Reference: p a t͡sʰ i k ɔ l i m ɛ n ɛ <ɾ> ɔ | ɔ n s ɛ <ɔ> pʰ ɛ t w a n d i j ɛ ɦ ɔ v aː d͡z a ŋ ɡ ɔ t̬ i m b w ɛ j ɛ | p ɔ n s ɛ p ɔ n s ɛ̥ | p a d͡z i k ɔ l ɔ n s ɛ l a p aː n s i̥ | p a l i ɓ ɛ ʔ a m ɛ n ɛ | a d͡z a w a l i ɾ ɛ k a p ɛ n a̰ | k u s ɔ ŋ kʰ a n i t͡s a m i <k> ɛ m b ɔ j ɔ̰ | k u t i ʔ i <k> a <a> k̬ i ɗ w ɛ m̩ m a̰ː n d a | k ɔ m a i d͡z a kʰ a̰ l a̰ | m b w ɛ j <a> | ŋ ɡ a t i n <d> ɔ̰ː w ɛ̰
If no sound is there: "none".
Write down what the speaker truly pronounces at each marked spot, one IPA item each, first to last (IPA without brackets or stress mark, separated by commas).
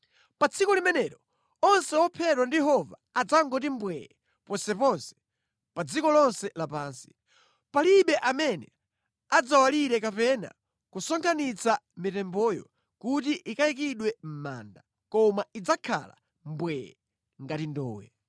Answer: ɾ, ɔ, t, k, i, ɛ, d